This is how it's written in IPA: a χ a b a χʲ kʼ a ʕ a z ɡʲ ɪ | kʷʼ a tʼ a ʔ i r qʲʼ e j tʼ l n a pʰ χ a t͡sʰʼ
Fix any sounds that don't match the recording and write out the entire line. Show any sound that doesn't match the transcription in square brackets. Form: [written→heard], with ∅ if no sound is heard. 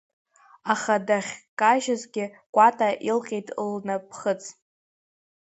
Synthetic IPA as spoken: a χ a [b→d] a χʲ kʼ a [ʕ→ʒ] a z ɡʲ ɪ | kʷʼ a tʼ a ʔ i [r→l] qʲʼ e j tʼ l n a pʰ χ [a→ə] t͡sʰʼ